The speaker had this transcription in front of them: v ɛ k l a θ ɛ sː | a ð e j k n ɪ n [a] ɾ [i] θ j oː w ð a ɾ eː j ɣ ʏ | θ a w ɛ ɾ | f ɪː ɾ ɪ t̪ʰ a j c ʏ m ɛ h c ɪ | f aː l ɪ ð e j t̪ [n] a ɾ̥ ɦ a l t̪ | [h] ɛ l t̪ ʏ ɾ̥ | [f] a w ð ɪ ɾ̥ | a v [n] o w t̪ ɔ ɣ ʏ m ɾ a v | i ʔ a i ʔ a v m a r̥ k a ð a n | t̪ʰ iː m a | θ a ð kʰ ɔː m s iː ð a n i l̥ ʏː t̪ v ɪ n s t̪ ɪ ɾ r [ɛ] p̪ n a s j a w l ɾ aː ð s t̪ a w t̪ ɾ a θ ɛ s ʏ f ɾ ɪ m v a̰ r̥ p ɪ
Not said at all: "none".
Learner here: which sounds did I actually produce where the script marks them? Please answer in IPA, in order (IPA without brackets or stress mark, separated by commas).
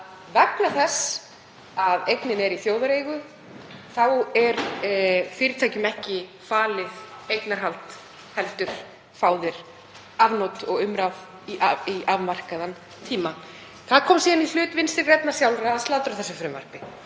ɛ, i, n, h, f, n, ɛ